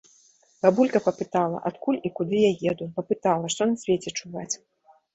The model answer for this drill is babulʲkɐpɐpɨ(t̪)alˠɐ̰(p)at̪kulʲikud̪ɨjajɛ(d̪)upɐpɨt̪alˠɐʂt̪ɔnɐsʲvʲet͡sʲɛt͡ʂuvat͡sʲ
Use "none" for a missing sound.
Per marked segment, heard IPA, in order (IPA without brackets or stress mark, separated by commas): t̪, ʔ, d̪